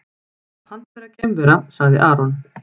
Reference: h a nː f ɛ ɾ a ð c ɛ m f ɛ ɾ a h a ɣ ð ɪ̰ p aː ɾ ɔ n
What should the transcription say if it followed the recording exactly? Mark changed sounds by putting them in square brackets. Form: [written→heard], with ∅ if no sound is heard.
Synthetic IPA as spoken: h a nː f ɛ ɾ a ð c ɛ m [f→v] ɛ ɾ a [h→s] a ɣ ð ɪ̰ [p→ʔ] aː ɾ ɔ n